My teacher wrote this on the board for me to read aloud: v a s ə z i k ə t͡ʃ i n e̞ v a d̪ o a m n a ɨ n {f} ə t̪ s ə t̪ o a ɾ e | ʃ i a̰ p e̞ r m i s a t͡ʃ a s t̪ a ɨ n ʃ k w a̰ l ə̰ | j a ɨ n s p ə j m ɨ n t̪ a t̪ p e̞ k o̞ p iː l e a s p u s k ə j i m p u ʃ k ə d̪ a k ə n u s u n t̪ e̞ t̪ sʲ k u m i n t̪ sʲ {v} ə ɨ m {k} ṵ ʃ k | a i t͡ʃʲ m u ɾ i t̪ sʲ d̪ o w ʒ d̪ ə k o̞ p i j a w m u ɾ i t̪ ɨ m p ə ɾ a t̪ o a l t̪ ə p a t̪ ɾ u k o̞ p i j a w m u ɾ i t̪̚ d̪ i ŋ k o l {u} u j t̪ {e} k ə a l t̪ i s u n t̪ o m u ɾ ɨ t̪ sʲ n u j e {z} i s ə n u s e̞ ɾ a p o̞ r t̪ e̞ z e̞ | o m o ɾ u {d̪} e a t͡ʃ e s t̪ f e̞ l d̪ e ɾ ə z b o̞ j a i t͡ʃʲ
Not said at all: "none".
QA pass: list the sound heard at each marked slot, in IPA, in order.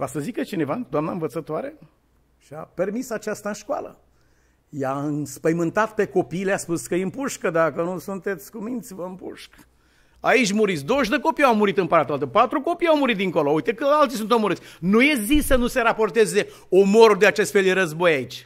v, v, p, o, e, z, d̪

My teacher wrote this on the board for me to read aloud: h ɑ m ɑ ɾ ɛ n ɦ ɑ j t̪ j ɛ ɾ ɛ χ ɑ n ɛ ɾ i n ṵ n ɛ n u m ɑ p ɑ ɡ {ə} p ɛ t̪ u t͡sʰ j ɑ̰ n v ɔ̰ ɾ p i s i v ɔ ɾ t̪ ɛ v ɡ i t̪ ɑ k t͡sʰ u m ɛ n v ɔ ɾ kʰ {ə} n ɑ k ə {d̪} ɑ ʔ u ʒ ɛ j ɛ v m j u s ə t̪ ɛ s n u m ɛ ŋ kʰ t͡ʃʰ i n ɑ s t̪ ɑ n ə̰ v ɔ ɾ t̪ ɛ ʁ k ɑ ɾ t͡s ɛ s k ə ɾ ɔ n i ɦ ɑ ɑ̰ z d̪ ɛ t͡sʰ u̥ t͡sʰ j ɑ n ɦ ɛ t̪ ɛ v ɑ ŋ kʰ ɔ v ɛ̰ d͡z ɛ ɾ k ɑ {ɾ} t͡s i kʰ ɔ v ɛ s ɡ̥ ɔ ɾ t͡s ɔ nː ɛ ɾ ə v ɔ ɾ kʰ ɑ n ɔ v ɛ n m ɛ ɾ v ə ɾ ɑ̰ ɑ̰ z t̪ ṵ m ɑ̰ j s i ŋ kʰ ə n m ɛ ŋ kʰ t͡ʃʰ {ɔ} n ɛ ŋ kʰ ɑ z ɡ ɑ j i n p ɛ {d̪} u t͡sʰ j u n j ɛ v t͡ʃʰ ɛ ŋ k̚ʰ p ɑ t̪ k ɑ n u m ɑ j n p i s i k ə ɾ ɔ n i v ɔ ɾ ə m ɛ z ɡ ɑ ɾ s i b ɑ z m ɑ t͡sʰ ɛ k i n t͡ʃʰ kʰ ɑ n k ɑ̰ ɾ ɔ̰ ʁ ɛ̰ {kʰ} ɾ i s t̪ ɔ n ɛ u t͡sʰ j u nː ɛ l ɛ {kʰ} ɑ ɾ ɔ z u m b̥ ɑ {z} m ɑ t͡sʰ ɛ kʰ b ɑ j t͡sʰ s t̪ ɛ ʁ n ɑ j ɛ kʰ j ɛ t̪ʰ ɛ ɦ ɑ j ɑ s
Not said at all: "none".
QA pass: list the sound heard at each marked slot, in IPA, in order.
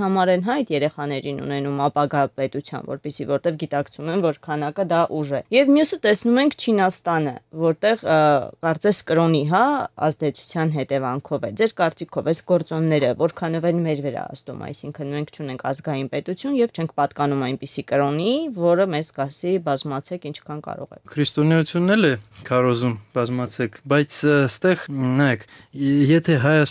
ɑ, ɑ, d̪, ɾ, u, t̪, kʰ, kʰ, z

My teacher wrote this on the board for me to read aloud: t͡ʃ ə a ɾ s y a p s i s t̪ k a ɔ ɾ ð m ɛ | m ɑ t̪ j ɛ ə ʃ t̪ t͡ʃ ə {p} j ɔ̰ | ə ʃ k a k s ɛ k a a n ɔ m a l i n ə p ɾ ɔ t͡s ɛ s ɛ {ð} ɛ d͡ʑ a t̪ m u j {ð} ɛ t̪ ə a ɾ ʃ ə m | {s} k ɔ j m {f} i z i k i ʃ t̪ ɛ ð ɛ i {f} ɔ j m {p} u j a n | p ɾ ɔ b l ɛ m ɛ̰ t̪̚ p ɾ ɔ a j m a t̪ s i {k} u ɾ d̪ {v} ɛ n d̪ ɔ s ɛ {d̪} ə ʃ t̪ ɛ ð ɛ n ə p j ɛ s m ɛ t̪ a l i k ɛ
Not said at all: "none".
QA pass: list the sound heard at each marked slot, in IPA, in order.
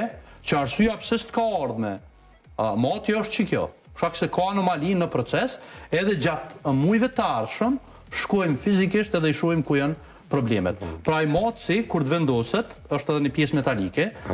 k, ð, v, ʃ, f, ʃ, k, k, v, t̪

